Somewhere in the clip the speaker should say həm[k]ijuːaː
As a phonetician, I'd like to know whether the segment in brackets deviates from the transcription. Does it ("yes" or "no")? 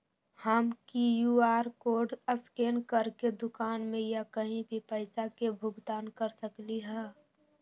no